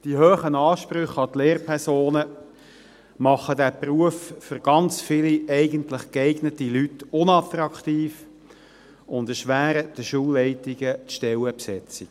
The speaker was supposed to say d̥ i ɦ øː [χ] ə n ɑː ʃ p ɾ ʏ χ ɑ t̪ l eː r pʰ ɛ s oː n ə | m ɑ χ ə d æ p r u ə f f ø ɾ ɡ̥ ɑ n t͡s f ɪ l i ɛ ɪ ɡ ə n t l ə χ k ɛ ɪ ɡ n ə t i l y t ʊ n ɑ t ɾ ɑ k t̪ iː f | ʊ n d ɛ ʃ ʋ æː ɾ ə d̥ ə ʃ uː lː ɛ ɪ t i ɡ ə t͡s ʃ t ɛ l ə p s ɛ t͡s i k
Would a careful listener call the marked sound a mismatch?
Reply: no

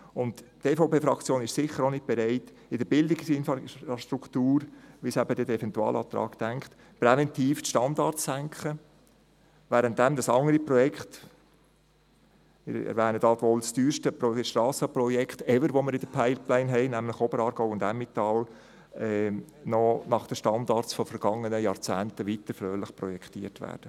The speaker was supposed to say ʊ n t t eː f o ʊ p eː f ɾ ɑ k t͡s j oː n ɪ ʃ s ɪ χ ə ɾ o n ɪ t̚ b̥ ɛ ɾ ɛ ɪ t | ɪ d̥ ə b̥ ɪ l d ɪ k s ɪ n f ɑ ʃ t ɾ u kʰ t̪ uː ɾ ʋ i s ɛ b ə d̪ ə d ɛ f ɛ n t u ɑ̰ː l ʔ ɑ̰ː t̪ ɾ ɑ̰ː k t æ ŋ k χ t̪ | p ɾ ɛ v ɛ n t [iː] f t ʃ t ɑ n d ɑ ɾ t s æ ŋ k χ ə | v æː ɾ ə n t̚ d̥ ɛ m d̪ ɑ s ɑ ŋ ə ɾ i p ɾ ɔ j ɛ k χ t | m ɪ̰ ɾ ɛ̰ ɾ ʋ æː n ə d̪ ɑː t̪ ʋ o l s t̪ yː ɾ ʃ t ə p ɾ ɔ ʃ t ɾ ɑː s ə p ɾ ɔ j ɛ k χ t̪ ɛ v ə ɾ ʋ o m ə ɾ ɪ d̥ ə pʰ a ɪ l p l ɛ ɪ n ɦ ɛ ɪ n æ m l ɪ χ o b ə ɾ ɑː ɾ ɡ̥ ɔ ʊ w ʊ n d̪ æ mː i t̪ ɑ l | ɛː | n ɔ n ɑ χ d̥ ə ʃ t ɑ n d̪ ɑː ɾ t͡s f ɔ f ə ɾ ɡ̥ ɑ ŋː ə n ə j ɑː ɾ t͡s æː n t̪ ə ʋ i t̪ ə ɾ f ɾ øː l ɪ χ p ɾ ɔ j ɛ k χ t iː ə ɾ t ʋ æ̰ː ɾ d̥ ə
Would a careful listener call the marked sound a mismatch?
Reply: no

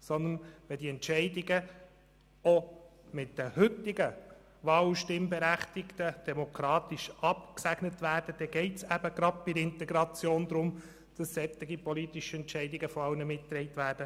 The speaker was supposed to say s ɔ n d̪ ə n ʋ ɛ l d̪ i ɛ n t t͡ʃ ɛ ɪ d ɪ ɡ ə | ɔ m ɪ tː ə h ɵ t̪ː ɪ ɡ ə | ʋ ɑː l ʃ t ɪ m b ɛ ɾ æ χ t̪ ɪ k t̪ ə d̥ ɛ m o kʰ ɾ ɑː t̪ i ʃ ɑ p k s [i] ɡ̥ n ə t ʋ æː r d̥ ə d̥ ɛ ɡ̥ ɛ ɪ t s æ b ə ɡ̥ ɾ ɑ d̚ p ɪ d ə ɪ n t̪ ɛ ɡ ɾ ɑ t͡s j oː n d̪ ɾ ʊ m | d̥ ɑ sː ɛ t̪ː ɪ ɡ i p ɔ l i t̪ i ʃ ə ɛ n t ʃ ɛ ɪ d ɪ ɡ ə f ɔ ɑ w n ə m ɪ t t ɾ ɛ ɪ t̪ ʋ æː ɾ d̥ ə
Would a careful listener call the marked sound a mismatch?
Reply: yes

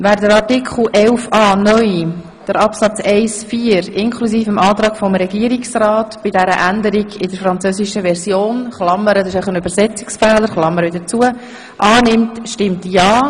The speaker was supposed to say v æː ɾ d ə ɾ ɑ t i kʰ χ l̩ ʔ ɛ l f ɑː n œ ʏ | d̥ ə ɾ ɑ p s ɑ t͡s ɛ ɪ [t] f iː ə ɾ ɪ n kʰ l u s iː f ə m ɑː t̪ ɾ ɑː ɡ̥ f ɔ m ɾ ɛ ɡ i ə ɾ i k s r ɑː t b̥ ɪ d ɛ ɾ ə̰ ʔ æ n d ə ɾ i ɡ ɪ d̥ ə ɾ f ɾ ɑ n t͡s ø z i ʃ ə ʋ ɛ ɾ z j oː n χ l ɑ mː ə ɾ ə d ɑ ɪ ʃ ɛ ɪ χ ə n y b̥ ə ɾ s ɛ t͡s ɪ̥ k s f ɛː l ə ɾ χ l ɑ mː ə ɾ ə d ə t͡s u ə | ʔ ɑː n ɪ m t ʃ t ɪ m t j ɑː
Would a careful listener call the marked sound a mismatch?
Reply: yes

